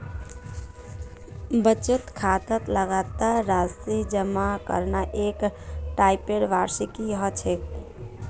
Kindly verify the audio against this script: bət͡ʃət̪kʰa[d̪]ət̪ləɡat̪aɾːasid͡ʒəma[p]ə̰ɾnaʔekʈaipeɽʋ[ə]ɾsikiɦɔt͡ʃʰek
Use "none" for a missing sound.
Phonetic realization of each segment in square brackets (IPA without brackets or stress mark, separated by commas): t̪, k, a